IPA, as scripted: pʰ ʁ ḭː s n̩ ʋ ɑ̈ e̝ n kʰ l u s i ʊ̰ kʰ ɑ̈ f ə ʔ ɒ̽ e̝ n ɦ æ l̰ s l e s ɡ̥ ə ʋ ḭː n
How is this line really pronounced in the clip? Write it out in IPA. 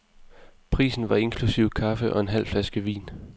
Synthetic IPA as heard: pʰ ʁ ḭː s n̩ ʋ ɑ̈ e̝ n kʰ l u s i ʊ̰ kʰ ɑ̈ f ə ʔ ɒ̽ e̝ n ɦ æ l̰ f l æ s ɡ̥ ə ʋ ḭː n